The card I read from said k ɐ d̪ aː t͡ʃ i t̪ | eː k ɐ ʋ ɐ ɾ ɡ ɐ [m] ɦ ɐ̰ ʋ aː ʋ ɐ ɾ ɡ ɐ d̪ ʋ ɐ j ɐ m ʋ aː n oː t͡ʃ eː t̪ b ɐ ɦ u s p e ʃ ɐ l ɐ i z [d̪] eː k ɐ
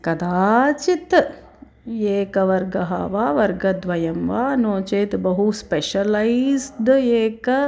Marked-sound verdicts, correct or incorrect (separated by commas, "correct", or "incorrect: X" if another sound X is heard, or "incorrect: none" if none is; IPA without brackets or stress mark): incorrect: none, correct